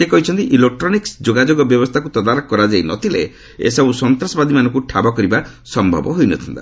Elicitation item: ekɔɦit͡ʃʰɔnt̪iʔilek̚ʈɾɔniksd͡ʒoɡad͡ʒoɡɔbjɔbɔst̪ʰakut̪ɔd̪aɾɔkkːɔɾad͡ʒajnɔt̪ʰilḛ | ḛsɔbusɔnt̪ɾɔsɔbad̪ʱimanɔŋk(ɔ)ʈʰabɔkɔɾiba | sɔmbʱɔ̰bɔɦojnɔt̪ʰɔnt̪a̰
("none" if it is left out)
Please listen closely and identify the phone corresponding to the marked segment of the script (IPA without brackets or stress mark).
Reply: u